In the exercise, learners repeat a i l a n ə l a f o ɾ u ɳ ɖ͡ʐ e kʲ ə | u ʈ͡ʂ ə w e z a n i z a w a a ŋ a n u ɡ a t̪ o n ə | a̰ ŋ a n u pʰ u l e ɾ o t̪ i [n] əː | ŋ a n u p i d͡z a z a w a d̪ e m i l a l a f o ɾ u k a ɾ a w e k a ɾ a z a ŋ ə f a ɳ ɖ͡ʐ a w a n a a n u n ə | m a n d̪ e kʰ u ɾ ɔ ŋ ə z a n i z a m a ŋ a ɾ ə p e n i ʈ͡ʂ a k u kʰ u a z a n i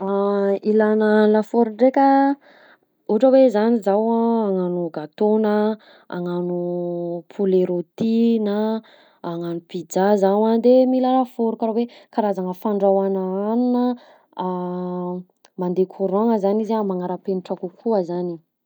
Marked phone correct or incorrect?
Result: correct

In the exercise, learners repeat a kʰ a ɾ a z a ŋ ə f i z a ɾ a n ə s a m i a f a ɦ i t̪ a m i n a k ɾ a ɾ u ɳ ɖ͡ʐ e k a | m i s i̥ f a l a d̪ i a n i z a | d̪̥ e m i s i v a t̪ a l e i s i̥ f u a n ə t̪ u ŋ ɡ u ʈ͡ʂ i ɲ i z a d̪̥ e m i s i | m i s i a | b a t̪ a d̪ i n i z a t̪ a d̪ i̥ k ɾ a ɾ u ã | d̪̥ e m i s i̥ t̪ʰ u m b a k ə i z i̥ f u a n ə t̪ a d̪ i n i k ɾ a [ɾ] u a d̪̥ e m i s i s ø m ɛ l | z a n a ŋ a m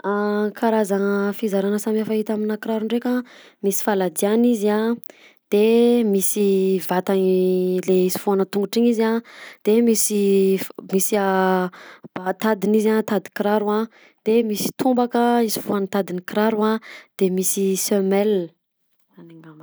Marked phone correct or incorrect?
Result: correct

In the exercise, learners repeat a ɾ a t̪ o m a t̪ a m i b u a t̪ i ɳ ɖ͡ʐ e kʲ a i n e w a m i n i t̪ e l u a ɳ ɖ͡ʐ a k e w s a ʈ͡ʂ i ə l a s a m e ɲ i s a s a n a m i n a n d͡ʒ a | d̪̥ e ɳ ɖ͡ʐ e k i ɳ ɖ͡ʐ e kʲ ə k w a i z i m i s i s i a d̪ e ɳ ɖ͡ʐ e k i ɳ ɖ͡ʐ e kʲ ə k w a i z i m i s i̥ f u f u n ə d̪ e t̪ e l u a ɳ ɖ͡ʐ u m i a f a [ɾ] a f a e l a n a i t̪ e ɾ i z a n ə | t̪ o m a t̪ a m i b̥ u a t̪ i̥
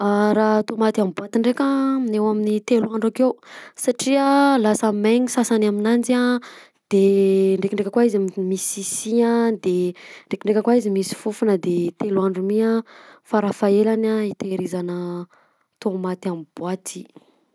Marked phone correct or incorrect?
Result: correct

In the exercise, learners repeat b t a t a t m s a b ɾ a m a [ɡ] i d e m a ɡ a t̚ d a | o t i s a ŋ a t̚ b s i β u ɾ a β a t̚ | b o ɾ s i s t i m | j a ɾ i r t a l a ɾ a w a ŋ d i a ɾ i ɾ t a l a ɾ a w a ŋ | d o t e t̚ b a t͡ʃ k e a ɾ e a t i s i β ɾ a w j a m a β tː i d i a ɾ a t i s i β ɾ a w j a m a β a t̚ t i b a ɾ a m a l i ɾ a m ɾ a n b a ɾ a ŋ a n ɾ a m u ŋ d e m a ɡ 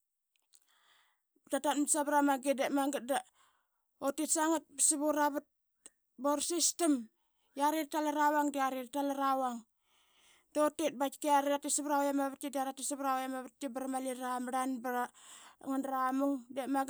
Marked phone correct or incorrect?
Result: correct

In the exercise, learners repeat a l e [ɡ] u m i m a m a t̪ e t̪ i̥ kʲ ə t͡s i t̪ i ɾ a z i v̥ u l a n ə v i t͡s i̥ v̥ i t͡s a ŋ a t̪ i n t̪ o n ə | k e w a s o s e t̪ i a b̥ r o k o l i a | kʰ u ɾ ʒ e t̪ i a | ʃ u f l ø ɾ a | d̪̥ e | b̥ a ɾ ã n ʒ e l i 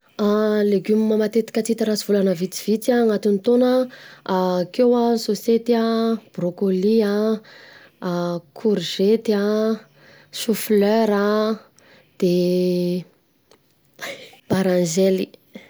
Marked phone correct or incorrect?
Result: correct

